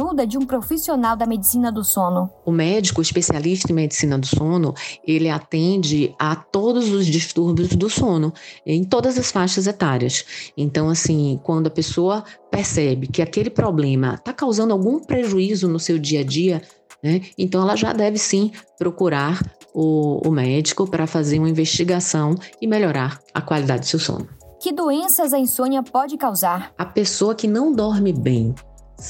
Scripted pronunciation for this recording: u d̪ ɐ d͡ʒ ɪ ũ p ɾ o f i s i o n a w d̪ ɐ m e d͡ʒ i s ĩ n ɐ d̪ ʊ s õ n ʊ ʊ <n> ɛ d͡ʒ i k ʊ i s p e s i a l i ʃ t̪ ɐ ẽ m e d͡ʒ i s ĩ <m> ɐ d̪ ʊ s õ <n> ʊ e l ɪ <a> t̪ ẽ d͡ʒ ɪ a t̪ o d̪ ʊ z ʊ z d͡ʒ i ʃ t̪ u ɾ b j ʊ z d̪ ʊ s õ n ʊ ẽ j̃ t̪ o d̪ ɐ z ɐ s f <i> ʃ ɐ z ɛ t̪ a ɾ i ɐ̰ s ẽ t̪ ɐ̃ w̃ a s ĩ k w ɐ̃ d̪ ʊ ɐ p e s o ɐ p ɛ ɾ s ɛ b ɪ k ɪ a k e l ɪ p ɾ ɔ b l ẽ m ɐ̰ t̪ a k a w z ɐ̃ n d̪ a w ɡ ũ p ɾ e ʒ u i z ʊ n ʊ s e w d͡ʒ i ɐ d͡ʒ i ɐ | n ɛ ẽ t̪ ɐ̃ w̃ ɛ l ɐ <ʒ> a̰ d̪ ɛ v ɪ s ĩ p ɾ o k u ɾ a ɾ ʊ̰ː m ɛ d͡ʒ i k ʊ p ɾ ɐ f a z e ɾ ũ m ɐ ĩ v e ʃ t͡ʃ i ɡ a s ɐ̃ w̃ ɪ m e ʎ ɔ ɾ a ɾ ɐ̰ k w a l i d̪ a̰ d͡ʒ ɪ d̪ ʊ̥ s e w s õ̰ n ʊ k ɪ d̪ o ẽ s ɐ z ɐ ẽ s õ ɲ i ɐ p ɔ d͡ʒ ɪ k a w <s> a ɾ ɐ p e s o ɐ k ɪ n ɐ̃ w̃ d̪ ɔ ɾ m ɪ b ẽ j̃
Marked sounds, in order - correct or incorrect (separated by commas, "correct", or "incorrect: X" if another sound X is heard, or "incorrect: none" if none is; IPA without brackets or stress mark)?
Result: incorrect: m, incorrect: n, correct, correct, incorrect: a, correct, incorrect: z